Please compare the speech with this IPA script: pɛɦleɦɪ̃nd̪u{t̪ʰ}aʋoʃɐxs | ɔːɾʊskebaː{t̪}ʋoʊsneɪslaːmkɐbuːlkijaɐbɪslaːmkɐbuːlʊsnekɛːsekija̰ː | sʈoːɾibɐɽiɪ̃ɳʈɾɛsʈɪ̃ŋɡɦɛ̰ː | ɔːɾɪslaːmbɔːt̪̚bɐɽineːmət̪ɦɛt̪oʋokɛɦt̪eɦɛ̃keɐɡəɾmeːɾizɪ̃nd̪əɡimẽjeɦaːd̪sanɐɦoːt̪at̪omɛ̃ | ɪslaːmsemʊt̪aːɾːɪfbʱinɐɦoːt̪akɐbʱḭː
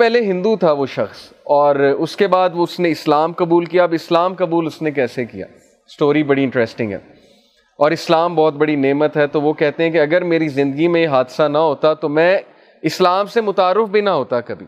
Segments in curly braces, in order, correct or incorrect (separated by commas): correct, incorrect